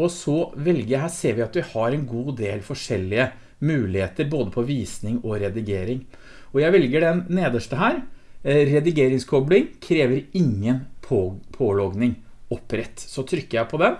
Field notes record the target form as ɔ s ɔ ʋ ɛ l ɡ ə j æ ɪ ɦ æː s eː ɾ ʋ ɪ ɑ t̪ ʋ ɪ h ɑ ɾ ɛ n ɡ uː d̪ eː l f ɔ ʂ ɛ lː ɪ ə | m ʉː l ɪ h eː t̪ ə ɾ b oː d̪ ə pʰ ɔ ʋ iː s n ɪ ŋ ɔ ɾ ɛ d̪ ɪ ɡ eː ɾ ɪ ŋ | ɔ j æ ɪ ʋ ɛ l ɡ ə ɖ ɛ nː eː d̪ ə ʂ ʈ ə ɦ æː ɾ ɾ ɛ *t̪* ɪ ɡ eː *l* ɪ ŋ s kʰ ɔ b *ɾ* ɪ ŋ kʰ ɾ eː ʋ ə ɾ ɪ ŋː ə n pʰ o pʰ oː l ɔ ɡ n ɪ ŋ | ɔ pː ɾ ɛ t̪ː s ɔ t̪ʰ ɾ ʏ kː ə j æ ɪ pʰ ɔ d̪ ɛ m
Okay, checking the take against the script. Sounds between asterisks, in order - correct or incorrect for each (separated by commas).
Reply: incorrect, incorrect, incorrect